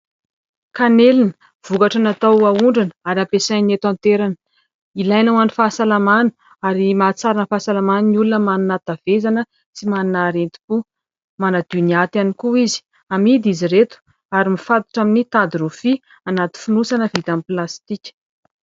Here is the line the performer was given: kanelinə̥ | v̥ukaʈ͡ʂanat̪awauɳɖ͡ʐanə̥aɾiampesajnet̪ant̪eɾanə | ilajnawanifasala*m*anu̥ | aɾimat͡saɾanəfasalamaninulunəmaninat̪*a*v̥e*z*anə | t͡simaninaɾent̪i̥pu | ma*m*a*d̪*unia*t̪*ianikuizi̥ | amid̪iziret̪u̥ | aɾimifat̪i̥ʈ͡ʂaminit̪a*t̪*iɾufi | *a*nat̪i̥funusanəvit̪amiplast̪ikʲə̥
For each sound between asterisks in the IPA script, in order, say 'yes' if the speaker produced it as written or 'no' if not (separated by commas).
yes, yes, yes, no, yes, yes, no, yes